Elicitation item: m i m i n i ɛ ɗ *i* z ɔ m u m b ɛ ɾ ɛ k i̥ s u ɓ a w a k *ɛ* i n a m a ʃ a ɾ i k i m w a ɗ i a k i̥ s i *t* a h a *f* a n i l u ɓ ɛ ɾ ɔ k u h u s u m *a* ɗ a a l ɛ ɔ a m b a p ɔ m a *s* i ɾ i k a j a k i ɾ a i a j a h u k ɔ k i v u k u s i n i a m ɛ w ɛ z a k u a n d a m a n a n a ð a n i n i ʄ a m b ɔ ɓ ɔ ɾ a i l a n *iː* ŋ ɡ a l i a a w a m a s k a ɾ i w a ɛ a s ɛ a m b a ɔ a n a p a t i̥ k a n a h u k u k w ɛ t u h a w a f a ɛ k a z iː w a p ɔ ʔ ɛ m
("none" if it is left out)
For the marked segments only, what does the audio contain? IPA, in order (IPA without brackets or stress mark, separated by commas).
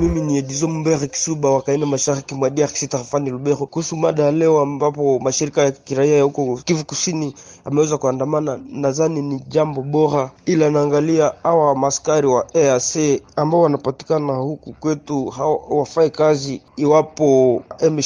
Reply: i, a, t, f, a, ʃ, aː